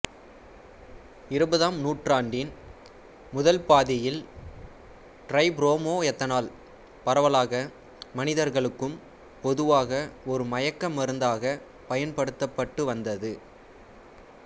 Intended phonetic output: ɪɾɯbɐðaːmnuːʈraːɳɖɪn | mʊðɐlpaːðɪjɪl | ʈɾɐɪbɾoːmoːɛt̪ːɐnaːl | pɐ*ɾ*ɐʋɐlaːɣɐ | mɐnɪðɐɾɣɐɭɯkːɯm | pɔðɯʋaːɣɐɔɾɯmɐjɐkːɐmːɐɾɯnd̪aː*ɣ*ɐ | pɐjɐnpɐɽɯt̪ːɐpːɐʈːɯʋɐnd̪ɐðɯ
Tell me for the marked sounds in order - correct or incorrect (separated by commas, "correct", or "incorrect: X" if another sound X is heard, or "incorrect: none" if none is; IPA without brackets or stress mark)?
correct, correct